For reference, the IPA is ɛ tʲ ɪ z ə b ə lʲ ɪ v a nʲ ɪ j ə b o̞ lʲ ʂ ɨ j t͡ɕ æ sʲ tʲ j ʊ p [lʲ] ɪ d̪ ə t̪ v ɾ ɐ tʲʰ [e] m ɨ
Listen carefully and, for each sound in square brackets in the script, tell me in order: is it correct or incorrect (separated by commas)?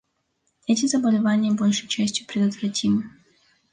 incorrect, incorrect